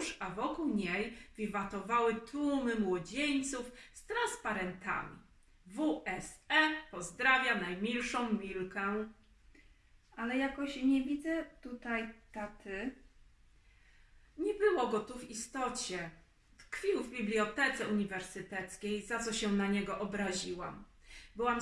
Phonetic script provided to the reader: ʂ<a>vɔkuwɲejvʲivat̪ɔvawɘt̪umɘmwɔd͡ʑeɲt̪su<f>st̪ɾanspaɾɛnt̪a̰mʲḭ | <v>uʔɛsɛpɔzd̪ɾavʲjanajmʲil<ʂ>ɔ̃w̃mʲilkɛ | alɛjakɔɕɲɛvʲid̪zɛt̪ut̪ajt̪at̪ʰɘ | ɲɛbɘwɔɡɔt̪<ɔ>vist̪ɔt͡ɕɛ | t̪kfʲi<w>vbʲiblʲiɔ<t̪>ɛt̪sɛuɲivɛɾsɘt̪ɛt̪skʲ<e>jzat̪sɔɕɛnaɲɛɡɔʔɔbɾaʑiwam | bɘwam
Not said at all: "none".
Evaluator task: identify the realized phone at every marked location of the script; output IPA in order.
a, f, v, ʂ, u, w, t̪, e

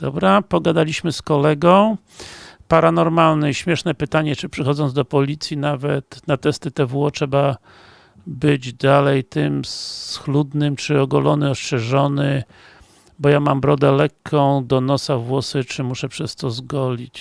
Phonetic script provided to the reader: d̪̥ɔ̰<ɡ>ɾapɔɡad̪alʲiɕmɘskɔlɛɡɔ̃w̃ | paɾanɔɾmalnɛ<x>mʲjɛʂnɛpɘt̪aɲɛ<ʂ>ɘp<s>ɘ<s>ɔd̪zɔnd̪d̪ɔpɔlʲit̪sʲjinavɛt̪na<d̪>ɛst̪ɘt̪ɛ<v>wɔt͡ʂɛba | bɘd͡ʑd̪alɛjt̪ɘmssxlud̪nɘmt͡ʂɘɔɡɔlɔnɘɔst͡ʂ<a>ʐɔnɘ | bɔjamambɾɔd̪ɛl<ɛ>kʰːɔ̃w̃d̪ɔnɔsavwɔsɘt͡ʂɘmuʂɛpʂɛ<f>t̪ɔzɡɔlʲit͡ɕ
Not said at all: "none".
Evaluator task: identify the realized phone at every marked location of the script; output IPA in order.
b, ɕ, t͡ʂ, ʂ, x, t̪, v, ɛ, ɛ, s

